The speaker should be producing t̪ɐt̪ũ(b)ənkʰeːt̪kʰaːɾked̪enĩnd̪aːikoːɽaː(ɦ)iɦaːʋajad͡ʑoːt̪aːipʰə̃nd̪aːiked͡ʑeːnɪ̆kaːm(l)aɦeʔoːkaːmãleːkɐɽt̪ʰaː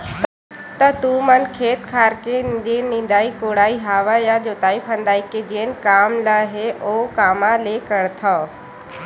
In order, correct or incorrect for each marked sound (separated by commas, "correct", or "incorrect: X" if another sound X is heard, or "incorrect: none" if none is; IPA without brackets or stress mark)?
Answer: incorrect: m, incorrect: none, correct